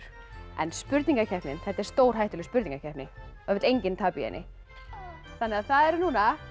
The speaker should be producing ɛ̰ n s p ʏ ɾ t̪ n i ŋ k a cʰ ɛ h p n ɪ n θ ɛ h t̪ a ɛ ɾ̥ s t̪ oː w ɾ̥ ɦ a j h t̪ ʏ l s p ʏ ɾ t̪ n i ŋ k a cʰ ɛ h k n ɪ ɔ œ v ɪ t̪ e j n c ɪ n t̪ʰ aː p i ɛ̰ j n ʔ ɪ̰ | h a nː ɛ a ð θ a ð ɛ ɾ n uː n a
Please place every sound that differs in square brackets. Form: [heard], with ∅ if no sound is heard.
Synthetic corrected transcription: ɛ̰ n s p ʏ ɾ t̪ n i ŋ k a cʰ ɛ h p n ɪ n θ ɛ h t̪ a ɛ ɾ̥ s t̪ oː w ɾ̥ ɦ a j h t̪ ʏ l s p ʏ ɾ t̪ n i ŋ k a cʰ ɛ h [p] n ɪ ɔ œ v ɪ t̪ e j [ɲ] c ɪ n t̪ʰ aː p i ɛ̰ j n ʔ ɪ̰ | [θ] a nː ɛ a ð θ a ð ɛ ɾ n uː n a

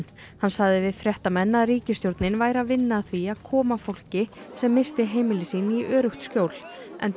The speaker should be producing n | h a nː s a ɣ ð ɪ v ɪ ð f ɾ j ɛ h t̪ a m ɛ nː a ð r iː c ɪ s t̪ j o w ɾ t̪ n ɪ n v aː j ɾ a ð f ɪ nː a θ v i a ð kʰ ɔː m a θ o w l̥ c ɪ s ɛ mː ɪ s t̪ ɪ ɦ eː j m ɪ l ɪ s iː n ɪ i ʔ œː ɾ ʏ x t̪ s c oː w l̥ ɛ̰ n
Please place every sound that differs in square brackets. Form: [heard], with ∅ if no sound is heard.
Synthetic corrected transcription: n | h a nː s a ɣ ð ɪ v ɪ ð f ɾ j ɛ h t̪ a m ɛ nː a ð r iː c ɪ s t̪ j o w ɾ t̪ n ɪ n v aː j ɾ a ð [v] ɪ nː a θ v i a ð kʰ ɔː m a [f] o w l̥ c ɪ s ɛ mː ɪ s t̪ ɪ ɦ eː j m ɪ l ɪ s iː n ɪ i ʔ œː ɾ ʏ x t̪ s c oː w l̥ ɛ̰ n

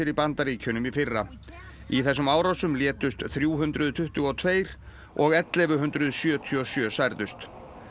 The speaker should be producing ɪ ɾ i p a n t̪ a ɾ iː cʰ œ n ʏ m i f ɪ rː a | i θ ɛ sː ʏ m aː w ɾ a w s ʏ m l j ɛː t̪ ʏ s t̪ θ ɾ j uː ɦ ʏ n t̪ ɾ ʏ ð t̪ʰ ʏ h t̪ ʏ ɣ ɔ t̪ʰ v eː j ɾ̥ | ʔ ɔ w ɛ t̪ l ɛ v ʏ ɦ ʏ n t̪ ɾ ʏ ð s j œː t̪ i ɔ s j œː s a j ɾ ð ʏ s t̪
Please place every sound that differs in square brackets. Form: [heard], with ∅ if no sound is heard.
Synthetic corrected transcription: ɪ ɾ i p a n t̪ a ɾ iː cʰ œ n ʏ m i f ɪ rː a | i θ ɛ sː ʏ m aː w ɾ a w s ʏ m l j ɛː t̪ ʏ s t̪ θ ɾ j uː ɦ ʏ n t̪ ɾ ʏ ð t̪ʰ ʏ h t̪ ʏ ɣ ɔ t̪ʰ v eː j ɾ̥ | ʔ ɔ [ɣ] ɛ t̪ l ɛ v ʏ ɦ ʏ n t̪ ɾ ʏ ð s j œː [t̪ʰ] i ɔ s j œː s a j ɾ ð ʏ s t̪

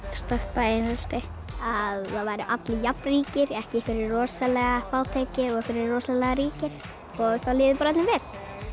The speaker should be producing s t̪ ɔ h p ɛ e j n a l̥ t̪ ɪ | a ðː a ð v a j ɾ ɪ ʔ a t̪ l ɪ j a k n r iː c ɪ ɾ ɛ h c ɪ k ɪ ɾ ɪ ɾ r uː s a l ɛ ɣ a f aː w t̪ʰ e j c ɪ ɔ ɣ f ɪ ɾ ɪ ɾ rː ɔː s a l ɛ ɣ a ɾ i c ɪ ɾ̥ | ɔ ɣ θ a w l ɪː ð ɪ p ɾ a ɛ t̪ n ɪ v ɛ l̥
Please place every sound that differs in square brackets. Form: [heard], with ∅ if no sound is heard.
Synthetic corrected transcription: s t̪ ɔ h p [a] e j n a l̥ t̪ ɪ | a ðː a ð v a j ɾ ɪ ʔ a t̪ l ɪ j a [p] n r iː c ɪ ɾ ɛ h c ɪ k ɪ ɾ ɪ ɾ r [ɔː] s a l ɛ ɣ a f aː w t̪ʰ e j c ɪ ɔ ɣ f ɪ ɾ ɪ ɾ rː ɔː s a l ɛ ɣ a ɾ [iː] c ɪ ɾ̥ | ɔ ɣ θ a w l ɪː ð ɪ p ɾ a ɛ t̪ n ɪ v ɛ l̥

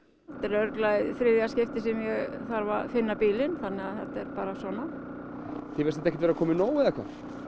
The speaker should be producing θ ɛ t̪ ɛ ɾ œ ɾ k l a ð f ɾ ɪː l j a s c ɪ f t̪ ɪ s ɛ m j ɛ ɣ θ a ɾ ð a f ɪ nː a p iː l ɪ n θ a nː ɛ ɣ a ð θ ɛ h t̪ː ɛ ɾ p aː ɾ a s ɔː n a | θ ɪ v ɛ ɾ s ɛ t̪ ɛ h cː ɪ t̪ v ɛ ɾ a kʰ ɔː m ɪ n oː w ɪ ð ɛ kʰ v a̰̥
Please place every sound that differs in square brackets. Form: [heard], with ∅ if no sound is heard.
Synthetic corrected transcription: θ ɛ t̪ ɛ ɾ œ ɾ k l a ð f ɾ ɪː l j a s c ɪ f t̪ ɪ s ɛ m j ɛ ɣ θ a ɾ [v] a f ɪ nː a p iː l ɪ n θ a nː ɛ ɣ a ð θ ɛ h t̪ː ɛ ɾ p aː ɾ a s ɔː n a | θ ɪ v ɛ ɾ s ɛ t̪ ɛ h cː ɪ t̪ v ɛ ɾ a kʰ ɔː m ɪ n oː w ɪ ð ɛ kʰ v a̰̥

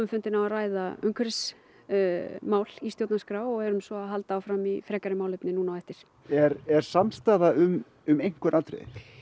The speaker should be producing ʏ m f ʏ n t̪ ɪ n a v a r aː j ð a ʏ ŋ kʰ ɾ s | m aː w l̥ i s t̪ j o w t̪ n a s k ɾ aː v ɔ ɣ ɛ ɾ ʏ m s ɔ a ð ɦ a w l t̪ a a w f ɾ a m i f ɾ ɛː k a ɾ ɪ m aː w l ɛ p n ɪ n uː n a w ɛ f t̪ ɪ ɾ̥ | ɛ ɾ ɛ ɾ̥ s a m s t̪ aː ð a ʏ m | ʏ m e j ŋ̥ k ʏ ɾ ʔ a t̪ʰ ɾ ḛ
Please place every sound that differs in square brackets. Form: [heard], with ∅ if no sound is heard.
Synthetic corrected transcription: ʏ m f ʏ n t̪ ɪ n a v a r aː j ð a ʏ ŋ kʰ ɾ s | m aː w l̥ i s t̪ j o w t̪ n a s k ɾ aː [w] ɔ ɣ ɛ ɾ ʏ m s ɔ a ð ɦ a [∅] l t̪ a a w f ɾ a m i f ɾ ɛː k a ɾ ɪ m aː w l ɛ p n ɪ n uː n a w ɛ f t̪ ɪ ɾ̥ | ɛ ɾ ɛ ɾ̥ s a m s t̪ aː ð a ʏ m | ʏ m e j ŋ̥ k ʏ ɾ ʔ a [t̪] ɾ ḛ

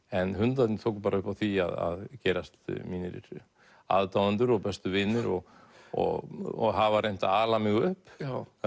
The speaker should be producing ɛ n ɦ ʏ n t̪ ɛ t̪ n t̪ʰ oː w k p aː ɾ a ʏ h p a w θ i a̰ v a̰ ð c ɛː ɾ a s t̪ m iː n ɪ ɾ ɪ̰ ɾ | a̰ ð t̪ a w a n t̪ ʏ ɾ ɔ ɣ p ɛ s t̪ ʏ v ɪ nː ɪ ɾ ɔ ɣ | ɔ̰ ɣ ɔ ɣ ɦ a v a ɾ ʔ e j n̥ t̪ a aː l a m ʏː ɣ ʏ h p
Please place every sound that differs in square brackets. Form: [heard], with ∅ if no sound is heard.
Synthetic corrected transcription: ɛ n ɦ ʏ n t̪ [a] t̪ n t̪ʰ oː w k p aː ɾ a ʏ h p a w θ i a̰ [ð] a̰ ð c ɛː ɾ a s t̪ m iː n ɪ ɾ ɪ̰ ɾ | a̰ ð t̪ a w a n t̪ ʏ ɾ ɔ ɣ p ɛ s t̪ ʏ v ɪ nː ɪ ɾ ɔ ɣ | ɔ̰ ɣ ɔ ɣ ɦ a v a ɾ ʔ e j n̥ t̪ a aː l a m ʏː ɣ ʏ h p

